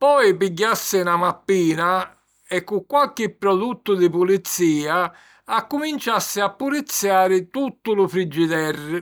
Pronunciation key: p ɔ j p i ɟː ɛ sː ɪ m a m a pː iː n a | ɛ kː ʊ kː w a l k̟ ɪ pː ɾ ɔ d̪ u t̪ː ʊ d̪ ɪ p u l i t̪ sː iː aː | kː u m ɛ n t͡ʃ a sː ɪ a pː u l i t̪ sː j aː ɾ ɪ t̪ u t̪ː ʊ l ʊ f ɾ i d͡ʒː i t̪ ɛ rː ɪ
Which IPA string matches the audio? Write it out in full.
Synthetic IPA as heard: p ɔ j p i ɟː a sː ɪ n a m a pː iː n a | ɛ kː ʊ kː w a l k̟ ɪ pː ɾ ɔ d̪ u t̪ː ʊ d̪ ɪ p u l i t̪ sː iː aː | kː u m i n t͡ʃ a sː ɪ a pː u l i t̪ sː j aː ɾ ɪ t̪ u t̪ː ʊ l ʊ f ɾ i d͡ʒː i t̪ ɛ rː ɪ